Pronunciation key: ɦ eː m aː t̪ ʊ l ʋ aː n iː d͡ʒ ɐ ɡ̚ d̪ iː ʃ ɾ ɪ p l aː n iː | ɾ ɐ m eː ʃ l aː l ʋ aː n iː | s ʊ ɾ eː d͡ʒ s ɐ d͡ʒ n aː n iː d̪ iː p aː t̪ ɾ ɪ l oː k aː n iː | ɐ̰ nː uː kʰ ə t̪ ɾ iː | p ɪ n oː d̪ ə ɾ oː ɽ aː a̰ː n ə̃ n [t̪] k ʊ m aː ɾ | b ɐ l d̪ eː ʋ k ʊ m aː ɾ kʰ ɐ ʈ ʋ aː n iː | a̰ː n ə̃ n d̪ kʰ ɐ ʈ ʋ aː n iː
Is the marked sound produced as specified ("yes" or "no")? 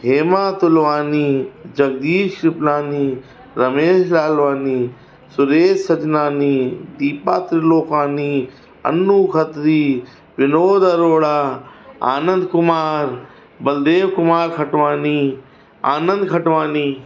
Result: no